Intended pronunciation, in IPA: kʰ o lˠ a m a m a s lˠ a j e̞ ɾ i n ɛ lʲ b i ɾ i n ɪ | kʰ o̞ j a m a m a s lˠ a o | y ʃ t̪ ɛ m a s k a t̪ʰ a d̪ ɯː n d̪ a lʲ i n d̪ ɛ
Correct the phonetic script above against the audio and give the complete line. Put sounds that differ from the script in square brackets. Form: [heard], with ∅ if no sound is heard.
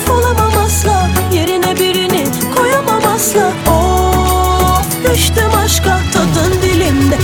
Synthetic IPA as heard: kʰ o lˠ a m a m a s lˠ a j e̞ ɾ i n ɛ [∅] b i ɾ i n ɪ | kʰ o̞ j a m a m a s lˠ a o | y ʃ t̪ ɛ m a [ʃ] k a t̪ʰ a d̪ [ɯ] n d̪ [i] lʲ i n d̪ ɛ